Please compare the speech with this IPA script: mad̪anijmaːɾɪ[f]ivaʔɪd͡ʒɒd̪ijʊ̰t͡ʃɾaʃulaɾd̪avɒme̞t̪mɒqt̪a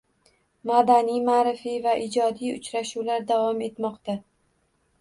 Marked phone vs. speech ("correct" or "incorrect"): correct